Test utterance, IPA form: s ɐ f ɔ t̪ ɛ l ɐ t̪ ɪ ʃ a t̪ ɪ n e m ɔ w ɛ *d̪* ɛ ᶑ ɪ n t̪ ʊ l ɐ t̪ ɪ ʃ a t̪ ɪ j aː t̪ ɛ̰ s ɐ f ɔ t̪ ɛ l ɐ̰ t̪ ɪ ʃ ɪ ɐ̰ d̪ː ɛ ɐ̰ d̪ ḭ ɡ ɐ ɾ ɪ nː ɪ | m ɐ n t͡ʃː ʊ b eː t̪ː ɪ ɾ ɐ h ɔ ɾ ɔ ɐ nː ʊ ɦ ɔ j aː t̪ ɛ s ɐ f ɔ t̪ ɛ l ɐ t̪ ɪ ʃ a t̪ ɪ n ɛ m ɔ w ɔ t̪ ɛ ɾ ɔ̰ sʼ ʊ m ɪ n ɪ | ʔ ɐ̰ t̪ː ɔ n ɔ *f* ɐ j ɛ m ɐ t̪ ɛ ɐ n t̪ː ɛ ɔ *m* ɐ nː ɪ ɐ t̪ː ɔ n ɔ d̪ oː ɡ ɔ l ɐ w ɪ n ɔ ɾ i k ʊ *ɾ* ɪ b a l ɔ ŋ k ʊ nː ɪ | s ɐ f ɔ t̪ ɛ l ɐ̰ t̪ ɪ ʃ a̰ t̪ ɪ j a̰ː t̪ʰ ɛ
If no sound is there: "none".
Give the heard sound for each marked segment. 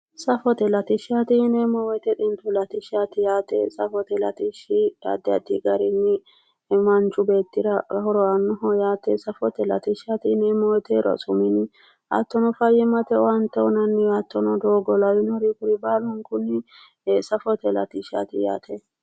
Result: t̪, f, n, ɾ

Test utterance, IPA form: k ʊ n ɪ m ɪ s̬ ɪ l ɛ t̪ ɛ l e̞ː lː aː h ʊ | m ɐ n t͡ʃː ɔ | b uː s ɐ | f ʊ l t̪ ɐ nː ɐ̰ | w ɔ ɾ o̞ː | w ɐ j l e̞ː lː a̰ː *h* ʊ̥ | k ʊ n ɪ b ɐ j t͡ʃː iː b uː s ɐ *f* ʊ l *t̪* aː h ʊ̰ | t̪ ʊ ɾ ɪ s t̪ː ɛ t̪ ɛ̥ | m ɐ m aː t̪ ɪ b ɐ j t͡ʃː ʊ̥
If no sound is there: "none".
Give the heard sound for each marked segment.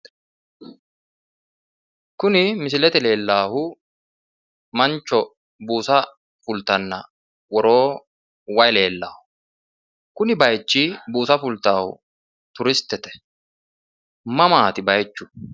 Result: h, f, t̪

